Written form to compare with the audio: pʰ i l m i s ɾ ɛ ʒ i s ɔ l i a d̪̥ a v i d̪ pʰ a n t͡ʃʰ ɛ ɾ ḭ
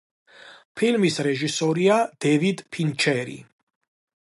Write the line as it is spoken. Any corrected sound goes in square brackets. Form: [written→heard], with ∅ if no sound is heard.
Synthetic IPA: pʰ i l m i s ɾ ɛ ʒ i s ɔ [l→ɾ] i a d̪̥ [a→ɛ] v i d̪ pʰ [a→i] n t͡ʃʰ ɛ ɾ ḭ

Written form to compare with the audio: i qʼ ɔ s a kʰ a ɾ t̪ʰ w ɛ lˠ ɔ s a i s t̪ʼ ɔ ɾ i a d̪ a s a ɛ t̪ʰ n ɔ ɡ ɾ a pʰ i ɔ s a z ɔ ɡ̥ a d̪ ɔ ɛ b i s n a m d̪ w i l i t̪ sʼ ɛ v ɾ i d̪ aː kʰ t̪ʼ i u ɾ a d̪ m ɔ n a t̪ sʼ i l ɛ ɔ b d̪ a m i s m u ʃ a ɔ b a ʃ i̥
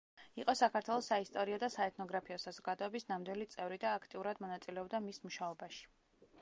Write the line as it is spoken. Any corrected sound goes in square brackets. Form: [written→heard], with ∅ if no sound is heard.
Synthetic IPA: i qʼ ɔ s a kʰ a ɾ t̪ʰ w ɛ lˠ ɔ s a i s t̪ʼ ɔ ɾ i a d̪ a s a ɛ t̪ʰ n ɔ ɡ ɾ a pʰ i ɔ s a z ɔ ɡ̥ a d̪ ɔ ɛ b i s n a m d̪ w i l i t̪ sʼ ɛ v ɾ i d̪ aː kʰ t̪ʼ i u ɾ a d̪ m ɔ n a t̪ sʼ i l ɛ ɔ b d̪ a m i s m u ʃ a ɔ b a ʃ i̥

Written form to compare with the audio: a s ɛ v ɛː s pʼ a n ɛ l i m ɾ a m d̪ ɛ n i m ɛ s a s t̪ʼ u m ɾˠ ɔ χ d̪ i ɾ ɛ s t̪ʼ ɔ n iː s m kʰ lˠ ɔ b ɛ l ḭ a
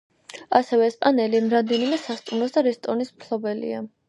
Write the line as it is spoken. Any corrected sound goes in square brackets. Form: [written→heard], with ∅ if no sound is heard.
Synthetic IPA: a s ɛ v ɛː s pʼ a n ɛ l i m ɾ a m d̪ ɛ n i m ɛ s a s t̪ʼ u m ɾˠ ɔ [χ→s] d̪ [i→a] ɾ ɛ s t̪ʼ ɔ n [iː→i] s m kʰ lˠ ɔ b ɛ l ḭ a

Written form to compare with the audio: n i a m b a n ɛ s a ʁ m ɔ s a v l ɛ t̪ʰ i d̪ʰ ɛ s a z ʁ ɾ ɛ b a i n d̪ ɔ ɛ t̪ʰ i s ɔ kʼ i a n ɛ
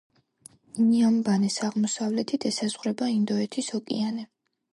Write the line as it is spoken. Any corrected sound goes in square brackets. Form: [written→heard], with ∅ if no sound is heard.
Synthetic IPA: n i a m b a n ɛ s a ʁ m ɔ s a v l ɛ t̪ʰ i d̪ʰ ɛ s a z ʁ ɾ ɛ b a i n d̪ ɔ ɛ t̪ʰ i s ɔ kʼ i a n ɛ

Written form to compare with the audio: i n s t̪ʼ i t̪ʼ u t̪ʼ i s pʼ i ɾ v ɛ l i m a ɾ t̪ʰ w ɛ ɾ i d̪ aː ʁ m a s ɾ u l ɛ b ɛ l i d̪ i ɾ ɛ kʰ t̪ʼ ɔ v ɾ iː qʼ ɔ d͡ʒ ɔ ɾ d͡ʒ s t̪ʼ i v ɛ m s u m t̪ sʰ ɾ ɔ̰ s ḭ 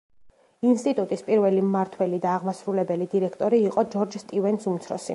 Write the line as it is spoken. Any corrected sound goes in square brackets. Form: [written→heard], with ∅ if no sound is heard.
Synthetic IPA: i n s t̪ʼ i t̪ʼ u t̪ʼ i s pʼ i ɾ v ɛ l i m a ɾ t̪ʰ w ɛ [ɾ→l] i d̪ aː ʁ m a s ɾ u l ɛ b ɛ l i d̪ i ɾ ɛ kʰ t̪ʼ ɔ [v→∅] ɾ iː qʼ ɔ d͡ʒ ɔ ɾ d͡ʒ s t̪ʼ i v ɛ [m→n] s u m t̪ sʰ ɾ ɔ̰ s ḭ

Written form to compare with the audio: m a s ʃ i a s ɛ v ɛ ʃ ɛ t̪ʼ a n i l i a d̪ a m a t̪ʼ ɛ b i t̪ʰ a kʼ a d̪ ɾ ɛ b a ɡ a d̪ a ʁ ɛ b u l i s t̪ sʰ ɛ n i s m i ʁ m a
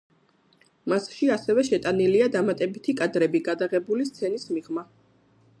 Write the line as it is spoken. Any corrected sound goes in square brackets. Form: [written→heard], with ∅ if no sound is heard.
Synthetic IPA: m a s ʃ i a s ɛ v ɛ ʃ ɛ t̪ʼ a n i l i a d̪ a m a t̪ʼ ɛ b i t̪ʰ [a→i] kʼ a d̪ ɾ ɛ b [a→i] ɡ a d̪ a ʁ ɛ b u l i s t̪ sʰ ɛ n i s m i ʁ m a

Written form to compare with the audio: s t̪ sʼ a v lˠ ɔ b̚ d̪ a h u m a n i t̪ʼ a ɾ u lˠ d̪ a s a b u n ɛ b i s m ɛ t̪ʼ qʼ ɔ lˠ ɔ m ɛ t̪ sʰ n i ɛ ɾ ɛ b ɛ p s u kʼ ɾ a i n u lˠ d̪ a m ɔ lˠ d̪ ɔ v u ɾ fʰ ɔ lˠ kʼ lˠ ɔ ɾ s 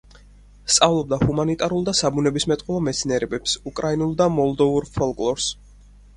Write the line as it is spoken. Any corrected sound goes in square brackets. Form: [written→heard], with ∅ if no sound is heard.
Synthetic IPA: s t̪ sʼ a v lˠ ɔ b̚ d̪ a h u m a n i t̪ʼ a ɾ u lˠ d̪ a s a b u n ɛ b i s m ɛ t̪ʼ qʼ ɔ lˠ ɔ m ɛ t̪ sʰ n i ɛ ɾ ɛ b ɛ p s u kʼ ɾ a i n u lˠ d̪ a m ɔ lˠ d̪ ɔ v u ɾ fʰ ɔ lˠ kʼ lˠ ɔ ɾ s

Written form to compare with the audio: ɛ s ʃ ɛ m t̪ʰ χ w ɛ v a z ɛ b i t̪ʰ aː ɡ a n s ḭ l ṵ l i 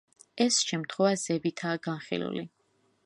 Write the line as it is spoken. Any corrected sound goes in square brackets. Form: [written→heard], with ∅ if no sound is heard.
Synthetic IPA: ɛ s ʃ ɛ m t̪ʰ χ w ɛ v a z ɛ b i t̪ʰ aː ɡ a n [s→χ] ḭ l ṵ l i

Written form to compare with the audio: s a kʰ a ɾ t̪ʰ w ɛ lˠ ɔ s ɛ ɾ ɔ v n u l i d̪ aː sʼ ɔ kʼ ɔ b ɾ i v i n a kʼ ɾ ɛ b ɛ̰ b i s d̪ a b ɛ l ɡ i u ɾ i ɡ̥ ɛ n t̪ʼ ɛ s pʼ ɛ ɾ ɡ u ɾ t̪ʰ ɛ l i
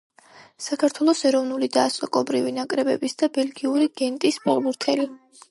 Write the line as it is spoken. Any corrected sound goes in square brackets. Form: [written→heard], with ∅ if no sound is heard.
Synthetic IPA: s a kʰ a ɾ t̪ʰ w ɛ lˠ ɔ s ɛ ɾ ɔ v n u l i d̪ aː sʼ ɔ kʼ ɔ b ɾ i v i n a kʼ ɾ ɛ b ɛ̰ b i s d̪ a b ɛ l ɡ i u ɾ i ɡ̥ ɛ n t̪ʼ [ɛ→i] s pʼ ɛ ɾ [ɡ→b] u ɾ t̪ʰ ɛ l i

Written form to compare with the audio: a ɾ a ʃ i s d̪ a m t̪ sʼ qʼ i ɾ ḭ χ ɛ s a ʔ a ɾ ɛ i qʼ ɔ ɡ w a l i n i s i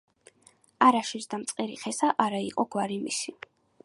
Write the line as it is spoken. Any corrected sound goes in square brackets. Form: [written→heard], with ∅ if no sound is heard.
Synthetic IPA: a ɾ a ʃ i s d̪ a m t̪ sʼ qʼ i ɾ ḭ χ ɛ s a ʔ a ɾ [ɛ→a] i qʼ ɔ ɡ w a [l→ɾ] i [n→m] i s i

